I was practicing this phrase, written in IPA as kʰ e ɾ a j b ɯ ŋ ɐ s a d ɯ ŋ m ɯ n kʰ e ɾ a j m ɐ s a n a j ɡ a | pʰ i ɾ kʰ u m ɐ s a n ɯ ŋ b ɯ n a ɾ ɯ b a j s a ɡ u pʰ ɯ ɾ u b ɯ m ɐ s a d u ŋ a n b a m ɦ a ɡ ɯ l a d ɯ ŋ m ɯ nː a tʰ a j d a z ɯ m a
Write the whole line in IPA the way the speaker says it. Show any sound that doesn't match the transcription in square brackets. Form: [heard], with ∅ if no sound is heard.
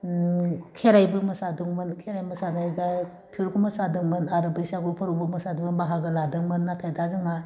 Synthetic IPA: kʰ e ɾ a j b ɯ [m] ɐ s a d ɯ ŋ m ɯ n kʰ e ɾ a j m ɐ s a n a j ɡ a | pʰ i ɾ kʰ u m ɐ s a [d] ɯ ŋ [m] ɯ n a ɾ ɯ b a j s a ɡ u pʰ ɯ ɾ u b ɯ m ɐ s a d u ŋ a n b a [∅] ɦ a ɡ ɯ l a d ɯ ŋ m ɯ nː a tʰ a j d a z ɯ [ŋ] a